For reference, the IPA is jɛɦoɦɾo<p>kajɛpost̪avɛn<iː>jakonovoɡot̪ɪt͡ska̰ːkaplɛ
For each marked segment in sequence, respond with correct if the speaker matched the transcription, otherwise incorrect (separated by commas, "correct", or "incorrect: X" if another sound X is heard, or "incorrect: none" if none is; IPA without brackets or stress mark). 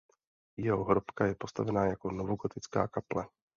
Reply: correct, incorrect: aː